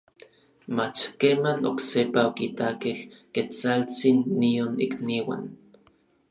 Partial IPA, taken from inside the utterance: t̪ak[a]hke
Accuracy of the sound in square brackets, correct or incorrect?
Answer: incorrect